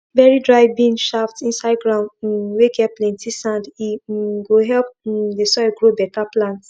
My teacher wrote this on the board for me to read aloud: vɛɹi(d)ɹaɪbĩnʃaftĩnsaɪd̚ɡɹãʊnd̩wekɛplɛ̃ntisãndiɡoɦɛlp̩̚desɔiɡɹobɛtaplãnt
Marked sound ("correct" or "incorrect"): correct